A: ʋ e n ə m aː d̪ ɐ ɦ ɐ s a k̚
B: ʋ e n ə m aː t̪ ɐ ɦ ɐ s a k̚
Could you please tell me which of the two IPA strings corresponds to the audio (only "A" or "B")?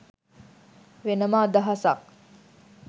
A